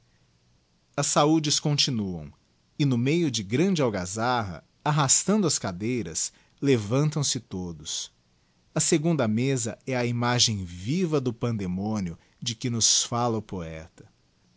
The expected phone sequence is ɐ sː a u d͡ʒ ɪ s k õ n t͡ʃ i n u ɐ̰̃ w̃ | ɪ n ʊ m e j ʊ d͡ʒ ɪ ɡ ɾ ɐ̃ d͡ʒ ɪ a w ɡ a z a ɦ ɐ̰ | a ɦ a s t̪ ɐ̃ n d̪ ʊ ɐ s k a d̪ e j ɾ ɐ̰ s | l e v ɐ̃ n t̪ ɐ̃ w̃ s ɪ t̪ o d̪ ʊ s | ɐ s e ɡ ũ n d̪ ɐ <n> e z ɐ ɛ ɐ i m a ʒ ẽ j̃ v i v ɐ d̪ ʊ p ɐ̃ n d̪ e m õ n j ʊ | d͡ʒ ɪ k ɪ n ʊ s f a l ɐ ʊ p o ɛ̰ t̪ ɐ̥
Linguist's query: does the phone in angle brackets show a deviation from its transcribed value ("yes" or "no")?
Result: yes